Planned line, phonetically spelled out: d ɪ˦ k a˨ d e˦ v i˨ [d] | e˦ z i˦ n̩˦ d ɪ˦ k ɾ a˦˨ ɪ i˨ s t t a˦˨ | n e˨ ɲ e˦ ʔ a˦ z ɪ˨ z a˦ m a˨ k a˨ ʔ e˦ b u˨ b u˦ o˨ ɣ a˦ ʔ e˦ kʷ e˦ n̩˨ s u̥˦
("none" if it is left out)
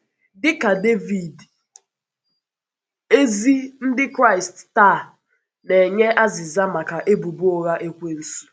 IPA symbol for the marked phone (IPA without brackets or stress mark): d